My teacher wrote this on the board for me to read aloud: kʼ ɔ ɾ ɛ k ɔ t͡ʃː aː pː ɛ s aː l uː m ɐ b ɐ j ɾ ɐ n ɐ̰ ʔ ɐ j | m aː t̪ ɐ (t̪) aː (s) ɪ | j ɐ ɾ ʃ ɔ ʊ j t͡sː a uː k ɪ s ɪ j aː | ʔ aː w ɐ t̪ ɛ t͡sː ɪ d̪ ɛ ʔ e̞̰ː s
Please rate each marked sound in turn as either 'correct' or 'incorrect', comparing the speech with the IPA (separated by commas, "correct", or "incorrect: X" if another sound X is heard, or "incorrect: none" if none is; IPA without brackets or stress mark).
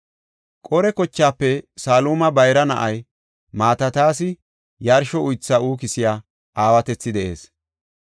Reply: correct, correct